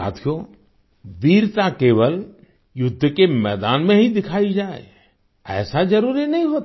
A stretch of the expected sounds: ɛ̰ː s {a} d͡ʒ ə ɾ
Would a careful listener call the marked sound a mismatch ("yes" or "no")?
no